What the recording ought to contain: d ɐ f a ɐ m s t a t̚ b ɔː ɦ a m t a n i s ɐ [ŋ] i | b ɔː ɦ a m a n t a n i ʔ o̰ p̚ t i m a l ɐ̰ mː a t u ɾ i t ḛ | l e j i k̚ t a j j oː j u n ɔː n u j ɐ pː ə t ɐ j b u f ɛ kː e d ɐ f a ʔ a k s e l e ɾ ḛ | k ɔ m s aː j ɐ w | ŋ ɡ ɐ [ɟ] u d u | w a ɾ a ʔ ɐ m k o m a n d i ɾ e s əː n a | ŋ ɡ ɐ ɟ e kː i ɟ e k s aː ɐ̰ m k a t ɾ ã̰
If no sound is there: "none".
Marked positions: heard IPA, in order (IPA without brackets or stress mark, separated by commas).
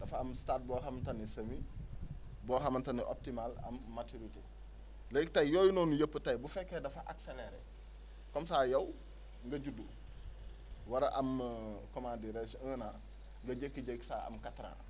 m, ɟ